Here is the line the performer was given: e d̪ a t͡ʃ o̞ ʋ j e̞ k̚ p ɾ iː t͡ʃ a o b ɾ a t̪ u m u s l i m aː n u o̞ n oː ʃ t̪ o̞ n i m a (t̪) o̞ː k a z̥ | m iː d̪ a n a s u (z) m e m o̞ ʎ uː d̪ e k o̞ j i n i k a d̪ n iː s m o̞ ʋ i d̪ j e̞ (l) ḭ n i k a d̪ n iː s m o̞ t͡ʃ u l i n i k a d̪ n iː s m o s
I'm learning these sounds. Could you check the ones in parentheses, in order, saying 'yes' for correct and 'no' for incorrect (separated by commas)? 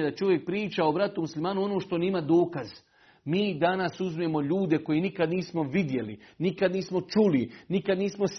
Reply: no, yes, yes